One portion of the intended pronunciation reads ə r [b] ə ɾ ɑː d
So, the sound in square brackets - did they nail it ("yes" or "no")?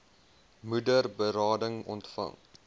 yes